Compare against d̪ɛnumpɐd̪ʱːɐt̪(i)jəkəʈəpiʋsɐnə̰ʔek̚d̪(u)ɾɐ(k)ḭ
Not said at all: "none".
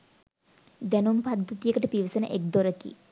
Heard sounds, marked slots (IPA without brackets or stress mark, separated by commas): i, o, k